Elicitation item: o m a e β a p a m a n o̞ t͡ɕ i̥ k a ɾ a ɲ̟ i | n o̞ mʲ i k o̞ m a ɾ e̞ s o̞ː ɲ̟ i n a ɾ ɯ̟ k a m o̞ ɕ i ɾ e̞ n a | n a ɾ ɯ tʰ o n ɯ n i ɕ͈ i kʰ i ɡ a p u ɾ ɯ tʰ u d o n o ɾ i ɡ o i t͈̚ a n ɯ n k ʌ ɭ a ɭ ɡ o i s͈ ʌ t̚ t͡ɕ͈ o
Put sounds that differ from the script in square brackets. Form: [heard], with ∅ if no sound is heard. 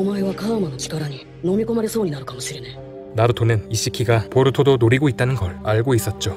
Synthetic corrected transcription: o m a e β a [k] a m a n o̞ t͡ɕ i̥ k a ɾ a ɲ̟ i | n o̞ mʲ i k o̞ m a ɾ e̞ s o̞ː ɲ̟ i n a ɾ ɯ̟ k a m o̞ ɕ i ɾ e̞ n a | n a ɾ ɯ tʰ o n ɯ n i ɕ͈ i kʰ i ɡ a p [o] ɾ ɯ tʰ [o] d o n o ɾ i ɡ o i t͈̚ a n ɯ n [ɡ] ʌ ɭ a ɭ ɡ o i s͈ ʌ t̚ t͡ɕ͈ o